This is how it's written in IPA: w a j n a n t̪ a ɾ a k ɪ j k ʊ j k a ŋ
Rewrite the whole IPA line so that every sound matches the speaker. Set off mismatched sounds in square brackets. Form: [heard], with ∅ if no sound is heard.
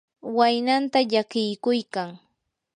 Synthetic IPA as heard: w a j n a n t̪ a [ʎ] a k ɪ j k ʊ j k a ŋ